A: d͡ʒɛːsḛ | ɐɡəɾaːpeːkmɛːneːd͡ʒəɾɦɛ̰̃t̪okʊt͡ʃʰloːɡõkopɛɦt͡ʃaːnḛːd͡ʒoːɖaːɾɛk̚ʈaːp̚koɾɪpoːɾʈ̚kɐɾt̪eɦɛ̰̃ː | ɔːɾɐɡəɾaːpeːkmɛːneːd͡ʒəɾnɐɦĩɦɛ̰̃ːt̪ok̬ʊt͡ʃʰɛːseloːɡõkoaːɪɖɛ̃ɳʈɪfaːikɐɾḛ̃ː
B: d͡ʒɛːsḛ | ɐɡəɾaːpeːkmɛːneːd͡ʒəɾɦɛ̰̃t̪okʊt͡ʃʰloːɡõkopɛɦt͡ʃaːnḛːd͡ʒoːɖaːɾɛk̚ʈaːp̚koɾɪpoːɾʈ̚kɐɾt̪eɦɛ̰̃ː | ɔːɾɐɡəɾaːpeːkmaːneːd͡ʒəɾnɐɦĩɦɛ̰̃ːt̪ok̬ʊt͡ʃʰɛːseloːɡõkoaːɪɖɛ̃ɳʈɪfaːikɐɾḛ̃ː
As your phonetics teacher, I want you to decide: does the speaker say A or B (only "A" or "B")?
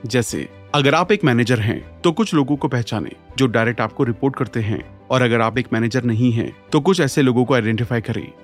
A